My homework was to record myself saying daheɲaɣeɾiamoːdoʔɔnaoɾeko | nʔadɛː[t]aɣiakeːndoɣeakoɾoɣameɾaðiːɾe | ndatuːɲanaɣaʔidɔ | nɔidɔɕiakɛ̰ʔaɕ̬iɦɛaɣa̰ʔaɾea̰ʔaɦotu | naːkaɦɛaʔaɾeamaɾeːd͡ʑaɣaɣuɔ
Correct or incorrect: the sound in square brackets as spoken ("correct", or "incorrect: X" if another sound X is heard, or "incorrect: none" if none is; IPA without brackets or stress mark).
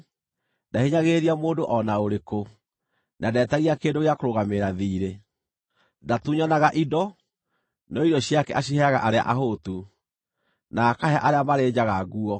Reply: correct